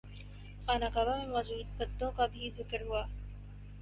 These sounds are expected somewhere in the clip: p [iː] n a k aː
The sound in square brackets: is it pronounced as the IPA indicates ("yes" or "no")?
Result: no